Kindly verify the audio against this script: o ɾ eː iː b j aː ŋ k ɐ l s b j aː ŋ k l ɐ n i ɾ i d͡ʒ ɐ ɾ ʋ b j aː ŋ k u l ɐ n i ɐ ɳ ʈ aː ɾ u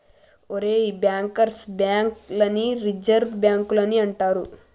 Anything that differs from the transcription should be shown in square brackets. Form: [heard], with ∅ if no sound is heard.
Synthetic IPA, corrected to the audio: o ɾ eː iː b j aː ŋ k ɐ [ɾ] s b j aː ŋ k l ɐ n i ɾ i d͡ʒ ɐ ɾ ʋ b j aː ŋ k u l ɐ n i ɐ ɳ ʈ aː ɾ u